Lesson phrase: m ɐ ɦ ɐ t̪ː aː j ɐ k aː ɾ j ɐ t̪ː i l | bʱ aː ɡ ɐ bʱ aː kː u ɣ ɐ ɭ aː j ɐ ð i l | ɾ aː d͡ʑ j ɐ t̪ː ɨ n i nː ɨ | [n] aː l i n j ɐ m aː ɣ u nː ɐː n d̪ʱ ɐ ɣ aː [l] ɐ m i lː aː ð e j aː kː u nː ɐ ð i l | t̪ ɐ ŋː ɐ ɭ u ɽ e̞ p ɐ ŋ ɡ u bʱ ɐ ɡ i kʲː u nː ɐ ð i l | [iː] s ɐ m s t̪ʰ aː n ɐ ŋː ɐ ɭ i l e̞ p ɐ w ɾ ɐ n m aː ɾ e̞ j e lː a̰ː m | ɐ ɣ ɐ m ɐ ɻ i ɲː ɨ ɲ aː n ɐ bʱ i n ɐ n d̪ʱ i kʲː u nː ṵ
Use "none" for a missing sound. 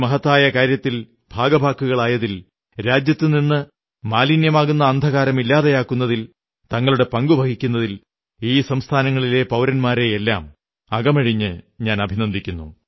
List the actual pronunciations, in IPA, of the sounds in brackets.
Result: m, ɾ, iː

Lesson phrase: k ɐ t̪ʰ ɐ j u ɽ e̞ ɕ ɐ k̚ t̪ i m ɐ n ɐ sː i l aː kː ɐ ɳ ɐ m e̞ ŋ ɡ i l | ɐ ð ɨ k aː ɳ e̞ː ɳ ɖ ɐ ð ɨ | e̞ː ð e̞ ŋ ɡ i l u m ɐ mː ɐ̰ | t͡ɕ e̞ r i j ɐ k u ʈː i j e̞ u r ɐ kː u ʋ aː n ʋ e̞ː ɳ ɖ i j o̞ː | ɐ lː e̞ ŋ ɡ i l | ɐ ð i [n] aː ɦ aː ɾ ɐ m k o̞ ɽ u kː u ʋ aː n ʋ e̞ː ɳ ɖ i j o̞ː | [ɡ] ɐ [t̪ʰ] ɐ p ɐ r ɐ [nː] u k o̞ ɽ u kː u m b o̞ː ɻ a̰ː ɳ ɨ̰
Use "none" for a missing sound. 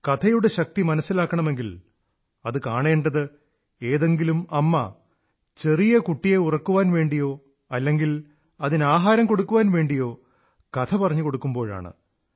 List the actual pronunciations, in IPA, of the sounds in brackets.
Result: n, k, t̪ʰ, ɲː

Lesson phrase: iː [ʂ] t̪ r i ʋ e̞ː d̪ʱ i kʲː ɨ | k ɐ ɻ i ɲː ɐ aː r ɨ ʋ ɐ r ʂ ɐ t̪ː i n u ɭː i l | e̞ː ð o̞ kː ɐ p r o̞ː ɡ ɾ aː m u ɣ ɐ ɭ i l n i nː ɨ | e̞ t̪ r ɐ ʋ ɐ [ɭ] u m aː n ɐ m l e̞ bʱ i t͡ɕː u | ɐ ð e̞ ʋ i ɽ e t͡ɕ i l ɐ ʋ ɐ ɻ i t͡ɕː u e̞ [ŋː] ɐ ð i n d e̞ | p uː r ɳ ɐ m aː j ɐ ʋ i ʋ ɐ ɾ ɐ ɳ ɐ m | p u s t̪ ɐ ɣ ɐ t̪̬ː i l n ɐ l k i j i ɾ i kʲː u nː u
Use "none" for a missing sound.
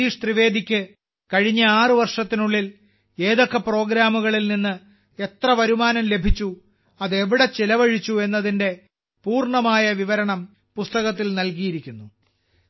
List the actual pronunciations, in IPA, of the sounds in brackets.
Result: ʂ, ɾ, nː

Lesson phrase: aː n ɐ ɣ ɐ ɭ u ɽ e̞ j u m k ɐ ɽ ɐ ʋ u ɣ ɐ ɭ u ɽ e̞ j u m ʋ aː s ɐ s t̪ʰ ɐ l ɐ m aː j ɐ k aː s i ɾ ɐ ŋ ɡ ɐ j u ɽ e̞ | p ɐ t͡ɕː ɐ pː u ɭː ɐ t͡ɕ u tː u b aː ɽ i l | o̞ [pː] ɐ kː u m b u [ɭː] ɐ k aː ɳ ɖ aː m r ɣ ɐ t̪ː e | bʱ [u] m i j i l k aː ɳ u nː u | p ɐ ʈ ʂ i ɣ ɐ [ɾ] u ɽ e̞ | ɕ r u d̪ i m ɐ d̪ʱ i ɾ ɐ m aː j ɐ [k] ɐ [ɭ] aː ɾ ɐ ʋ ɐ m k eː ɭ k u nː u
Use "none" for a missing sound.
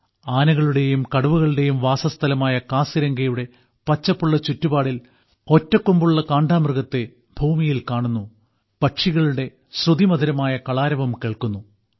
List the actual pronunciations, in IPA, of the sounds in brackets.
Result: tː, ɭː, uː, ɭ, k, ɭ

